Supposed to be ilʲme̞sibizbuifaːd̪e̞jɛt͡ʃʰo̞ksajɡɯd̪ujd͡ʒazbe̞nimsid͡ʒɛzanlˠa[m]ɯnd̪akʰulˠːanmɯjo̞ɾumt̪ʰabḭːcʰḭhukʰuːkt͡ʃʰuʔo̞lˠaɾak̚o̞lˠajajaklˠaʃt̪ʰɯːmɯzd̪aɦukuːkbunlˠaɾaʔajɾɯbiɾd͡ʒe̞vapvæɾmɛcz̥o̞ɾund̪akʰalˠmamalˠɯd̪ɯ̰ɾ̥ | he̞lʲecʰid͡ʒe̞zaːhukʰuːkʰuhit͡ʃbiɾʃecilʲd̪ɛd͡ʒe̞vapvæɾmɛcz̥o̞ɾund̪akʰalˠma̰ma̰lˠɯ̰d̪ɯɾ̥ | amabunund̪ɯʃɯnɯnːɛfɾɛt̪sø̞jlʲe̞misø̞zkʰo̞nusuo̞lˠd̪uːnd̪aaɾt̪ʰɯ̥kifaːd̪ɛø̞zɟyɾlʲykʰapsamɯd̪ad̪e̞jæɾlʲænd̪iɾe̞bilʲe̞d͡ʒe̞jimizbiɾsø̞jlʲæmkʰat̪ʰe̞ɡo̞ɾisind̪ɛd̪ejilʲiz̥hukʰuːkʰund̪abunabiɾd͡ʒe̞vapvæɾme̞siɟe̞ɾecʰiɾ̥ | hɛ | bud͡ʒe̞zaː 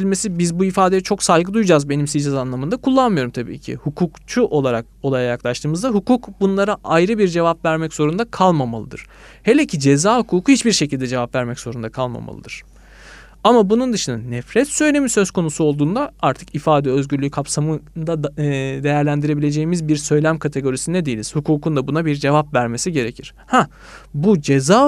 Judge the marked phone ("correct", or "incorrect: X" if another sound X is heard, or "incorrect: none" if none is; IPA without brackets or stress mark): correct